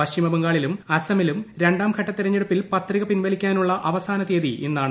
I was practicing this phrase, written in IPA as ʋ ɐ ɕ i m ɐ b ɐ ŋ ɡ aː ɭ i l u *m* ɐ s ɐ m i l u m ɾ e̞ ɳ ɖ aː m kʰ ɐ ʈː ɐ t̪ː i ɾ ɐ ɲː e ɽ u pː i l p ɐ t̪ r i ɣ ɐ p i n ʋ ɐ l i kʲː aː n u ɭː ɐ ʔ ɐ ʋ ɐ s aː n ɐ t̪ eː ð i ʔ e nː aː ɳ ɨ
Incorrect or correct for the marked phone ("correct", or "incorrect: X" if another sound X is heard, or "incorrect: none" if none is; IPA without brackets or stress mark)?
correct